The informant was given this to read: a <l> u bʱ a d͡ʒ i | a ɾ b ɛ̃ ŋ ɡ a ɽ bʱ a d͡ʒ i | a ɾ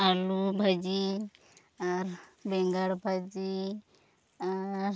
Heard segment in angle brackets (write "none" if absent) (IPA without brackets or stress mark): l